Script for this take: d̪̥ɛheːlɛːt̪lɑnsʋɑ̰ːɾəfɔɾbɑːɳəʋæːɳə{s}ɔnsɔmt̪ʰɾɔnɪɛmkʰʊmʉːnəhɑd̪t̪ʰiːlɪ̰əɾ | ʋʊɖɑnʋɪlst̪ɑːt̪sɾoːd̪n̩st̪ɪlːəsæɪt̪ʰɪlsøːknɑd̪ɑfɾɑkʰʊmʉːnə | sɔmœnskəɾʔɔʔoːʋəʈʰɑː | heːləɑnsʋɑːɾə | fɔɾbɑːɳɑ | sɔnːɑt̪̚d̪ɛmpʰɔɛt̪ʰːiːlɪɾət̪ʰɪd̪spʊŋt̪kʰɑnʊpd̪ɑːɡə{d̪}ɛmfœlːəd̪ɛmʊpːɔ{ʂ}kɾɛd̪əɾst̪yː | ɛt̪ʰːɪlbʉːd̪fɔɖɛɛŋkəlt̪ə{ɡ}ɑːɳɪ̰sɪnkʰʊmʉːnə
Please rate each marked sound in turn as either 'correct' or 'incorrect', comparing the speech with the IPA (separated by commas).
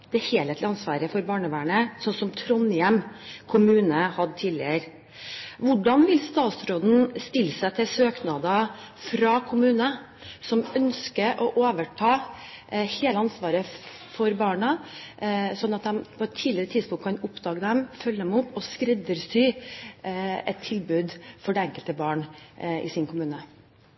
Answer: correct, correct, incorrect, incorrect